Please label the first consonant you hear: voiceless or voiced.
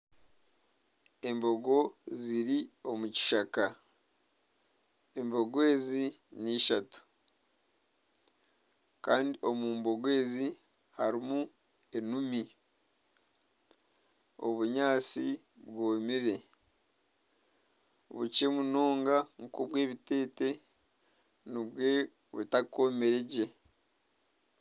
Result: voiced